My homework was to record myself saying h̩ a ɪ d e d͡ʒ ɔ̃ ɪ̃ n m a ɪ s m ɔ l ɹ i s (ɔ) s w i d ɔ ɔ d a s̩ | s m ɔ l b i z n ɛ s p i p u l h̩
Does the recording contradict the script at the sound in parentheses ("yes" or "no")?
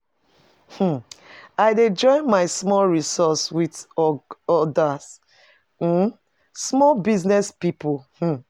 no